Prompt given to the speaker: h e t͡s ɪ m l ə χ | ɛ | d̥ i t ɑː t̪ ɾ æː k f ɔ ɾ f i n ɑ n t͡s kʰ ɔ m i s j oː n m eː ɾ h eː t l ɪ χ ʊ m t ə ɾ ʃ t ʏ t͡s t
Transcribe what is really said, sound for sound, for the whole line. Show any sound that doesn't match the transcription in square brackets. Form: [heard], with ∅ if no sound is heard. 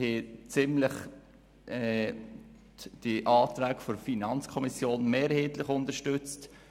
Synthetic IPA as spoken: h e t͡s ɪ m l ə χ | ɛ | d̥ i [ʔ] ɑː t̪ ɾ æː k f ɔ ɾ f i n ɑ n t͡s kʰ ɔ m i s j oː n m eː ɾ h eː t l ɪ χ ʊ [n] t ə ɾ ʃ t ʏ t͡s t